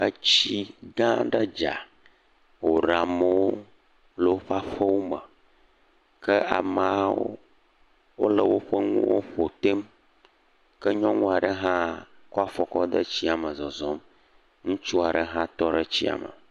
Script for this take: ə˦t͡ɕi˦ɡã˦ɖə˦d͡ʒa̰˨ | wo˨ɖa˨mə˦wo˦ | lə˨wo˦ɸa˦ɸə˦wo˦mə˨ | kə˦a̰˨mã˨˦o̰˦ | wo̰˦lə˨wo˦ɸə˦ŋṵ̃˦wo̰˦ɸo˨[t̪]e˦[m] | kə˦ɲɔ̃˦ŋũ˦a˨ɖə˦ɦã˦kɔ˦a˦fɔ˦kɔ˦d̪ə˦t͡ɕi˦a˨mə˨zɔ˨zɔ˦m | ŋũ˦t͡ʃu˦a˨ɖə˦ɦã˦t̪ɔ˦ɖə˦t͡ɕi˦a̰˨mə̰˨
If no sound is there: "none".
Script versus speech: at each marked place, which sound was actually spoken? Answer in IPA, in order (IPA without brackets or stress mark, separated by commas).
t̪, m